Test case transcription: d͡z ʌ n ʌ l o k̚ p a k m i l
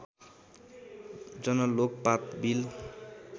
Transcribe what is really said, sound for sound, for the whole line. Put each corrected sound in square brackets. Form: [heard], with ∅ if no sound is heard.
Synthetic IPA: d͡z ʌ n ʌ l o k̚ p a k [b] i l